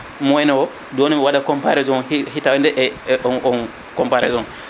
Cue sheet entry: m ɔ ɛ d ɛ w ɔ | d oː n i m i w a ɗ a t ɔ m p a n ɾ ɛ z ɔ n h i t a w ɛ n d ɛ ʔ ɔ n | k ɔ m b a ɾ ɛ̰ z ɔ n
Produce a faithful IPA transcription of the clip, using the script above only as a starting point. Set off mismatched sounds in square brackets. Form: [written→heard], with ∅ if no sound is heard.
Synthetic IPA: m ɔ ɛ [d→n] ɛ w ɔ | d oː n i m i w a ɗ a [t→k] ɔ m p a [n→∅] ɾ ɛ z ɔ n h i t a w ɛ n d ɛ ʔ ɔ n | k ɔ m [b→p] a ɾ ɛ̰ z ɔ n